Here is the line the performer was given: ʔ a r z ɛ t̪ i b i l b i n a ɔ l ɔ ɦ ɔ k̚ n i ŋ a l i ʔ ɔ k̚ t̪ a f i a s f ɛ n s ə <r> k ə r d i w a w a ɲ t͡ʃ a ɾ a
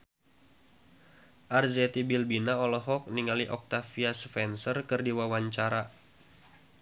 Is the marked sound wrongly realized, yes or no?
no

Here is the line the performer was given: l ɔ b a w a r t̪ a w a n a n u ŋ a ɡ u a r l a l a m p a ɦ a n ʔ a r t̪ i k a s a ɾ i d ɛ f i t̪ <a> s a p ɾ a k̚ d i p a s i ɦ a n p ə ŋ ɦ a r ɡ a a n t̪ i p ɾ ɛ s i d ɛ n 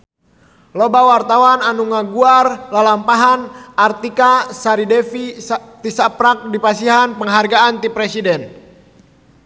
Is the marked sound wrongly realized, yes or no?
yes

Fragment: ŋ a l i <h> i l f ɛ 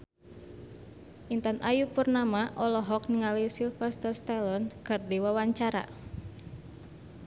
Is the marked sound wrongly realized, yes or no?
yes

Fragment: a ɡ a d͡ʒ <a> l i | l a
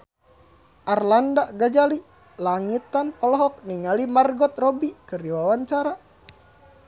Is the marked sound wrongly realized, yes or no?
no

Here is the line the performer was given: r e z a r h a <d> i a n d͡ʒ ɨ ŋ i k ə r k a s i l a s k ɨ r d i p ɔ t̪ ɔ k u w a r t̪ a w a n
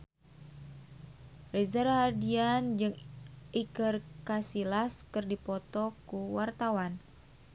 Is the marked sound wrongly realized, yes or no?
no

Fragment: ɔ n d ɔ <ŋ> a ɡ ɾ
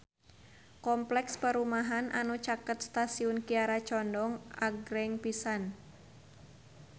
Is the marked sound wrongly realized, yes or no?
no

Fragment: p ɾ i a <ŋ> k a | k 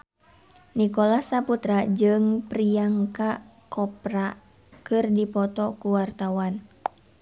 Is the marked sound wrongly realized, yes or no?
no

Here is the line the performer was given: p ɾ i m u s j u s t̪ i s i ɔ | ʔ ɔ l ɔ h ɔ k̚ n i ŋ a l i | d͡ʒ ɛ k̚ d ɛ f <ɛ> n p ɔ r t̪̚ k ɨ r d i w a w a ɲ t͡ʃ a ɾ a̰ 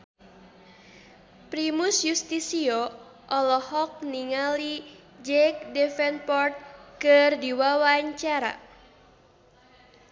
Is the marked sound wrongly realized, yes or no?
no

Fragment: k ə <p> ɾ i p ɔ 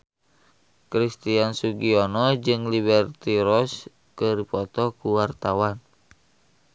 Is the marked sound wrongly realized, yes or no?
yes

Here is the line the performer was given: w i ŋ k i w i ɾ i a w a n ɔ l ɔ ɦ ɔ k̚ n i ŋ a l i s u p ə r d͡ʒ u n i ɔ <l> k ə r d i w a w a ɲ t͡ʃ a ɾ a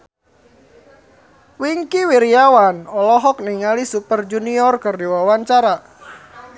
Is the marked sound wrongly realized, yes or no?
yes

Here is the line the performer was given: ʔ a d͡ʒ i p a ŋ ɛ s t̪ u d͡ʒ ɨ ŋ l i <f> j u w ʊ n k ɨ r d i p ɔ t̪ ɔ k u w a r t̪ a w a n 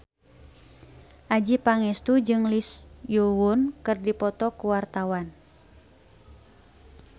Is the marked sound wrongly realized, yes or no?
yes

